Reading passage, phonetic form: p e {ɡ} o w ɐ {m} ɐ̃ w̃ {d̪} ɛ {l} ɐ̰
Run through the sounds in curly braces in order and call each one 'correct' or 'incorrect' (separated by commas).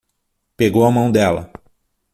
correct, correct, correct, correct